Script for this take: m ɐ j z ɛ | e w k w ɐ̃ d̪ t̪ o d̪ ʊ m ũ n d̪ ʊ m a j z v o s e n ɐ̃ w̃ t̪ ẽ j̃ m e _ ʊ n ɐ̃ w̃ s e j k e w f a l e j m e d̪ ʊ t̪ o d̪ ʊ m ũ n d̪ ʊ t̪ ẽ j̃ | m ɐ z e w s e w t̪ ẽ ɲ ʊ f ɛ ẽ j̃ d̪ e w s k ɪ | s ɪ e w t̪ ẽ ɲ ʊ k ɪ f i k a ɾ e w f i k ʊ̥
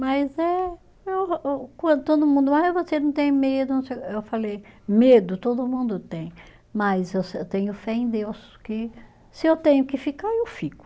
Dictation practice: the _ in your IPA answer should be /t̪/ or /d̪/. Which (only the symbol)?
d̪